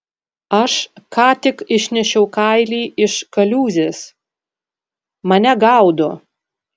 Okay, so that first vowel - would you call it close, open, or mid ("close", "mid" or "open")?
open